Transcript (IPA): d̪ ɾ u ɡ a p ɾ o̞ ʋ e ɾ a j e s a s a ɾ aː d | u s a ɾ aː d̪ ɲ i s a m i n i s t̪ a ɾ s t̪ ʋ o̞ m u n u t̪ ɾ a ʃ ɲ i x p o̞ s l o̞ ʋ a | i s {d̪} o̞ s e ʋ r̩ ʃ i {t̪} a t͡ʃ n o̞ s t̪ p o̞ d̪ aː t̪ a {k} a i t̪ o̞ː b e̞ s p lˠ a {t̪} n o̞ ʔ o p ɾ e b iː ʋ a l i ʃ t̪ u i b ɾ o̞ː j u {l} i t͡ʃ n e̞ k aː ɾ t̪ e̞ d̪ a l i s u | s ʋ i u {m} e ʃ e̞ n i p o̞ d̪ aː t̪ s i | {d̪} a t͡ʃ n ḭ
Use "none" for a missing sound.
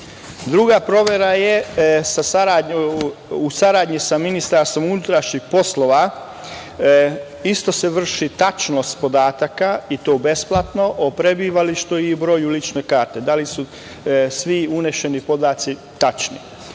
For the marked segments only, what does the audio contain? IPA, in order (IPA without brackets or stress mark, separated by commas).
t̪, t̪, k, t̪, l, n, t̪